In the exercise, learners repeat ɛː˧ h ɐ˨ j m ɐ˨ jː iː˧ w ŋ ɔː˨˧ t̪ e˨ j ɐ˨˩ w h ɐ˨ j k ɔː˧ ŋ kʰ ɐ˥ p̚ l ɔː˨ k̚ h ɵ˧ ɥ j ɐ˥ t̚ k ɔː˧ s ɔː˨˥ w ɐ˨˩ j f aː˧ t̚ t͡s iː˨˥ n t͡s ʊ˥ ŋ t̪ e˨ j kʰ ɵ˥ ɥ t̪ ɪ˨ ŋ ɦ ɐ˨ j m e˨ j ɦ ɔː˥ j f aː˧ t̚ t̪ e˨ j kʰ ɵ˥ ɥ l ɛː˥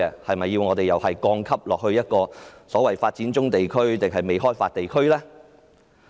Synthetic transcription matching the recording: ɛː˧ h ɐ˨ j m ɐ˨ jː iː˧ w ŋ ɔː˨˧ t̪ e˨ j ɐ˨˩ w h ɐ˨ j k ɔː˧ ŋ kʰ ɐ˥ p̚ l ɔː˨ k̚ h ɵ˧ ɥ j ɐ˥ t̚ k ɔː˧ s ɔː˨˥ w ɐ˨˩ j f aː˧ t̚ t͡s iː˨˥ n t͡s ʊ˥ ŋ t̪ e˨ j kʰ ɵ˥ ɥ t̪ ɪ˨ ŋ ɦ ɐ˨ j m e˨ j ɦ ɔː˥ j f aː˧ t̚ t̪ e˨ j kʰ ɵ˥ ɥ l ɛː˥

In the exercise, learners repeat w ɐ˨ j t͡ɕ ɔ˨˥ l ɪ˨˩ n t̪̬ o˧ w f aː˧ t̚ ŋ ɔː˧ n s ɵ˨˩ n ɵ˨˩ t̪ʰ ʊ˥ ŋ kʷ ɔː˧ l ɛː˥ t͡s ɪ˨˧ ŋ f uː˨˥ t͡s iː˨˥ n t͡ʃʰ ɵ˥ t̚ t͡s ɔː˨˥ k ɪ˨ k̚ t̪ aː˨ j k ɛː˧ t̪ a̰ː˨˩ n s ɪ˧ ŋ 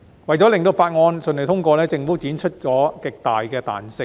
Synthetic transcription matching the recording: w ɐ˨ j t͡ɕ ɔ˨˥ l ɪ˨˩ ŋ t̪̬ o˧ w f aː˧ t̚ ŋ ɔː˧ n s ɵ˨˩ n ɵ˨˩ t̪ʰ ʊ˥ ŋ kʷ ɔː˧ l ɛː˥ t͡s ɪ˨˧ ŋ f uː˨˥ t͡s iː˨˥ n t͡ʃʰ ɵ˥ t̚ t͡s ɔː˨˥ k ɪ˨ k̚ t̪ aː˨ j k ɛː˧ t̪ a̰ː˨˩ n s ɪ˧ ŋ

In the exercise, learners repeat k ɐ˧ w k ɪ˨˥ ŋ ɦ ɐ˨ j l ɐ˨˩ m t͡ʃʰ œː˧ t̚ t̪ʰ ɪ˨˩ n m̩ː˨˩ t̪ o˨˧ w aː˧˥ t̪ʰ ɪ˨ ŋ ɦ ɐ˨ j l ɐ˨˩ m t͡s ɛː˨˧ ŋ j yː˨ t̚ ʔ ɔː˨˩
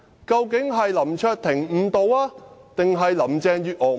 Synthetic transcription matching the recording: k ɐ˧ w k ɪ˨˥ ŋ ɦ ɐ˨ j l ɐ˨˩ m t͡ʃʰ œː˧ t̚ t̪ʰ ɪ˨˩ ŋ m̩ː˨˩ t̪ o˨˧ w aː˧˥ t̪ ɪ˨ ŋ ɦ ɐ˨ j l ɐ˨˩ m t͡s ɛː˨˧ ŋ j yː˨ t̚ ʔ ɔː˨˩

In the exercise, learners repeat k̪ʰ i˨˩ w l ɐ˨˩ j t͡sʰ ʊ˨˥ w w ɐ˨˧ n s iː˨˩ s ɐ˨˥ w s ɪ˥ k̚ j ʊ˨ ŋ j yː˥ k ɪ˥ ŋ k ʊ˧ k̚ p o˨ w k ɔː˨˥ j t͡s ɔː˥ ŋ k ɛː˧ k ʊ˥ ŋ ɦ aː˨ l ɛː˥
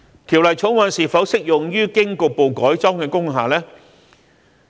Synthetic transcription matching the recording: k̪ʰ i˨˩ w l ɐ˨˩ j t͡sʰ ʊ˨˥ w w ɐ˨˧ n s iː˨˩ f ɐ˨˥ w s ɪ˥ k̚ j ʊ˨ ŋ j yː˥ k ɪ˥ ŋ k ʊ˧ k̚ p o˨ w k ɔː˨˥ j t͡s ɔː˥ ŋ k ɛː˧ k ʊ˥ ŋ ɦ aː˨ l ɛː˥

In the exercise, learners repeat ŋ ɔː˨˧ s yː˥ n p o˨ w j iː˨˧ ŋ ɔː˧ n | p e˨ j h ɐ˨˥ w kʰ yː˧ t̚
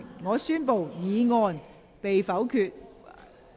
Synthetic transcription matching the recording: ŋ ɔː˨˧ s yː˥ n p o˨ w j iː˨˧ ŋ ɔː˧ n | p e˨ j f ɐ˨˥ w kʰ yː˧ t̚

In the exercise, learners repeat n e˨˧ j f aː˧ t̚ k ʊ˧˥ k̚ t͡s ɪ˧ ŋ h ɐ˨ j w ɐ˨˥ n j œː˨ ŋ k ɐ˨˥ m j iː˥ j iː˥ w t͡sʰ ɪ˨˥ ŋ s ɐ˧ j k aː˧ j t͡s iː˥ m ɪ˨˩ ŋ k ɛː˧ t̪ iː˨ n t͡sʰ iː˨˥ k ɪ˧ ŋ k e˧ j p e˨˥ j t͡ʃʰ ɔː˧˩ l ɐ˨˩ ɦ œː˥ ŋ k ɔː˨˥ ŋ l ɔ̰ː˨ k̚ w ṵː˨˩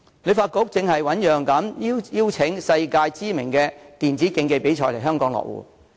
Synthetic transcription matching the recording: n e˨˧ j f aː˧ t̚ k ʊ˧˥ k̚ t͡s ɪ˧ ŋ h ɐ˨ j w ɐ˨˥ n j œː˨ ŋ k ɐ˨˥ m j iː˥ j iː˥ w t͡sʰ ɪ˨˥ ŋ s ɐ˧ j k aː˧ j t͡s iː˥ m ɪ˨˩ ŋ k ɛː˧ t̪ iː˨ n t͡s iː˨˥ k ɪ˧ ŋ k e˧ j p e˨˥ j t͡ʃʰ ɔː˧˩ l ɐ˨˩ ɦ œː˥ ŋ k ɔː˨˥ ŋ l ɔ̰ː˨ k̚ w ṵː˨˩

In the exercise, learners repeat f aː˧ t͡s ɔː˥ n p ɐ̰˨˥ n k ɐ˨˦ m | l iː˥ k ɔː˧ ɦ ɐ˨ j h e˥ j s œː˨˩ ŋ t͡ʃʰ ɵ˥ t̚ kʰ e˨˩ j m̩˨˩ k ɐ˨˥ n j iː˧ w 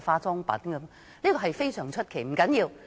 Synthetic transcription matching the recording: f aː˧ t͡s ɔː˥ ŋ p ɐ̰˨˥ n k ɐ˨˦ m | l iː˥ k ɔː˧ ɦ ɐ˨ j f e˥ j s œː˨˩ ŋ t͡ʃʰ ɵ˥ t̚ kʰ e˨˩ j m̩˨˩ k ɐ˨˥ n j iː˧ w

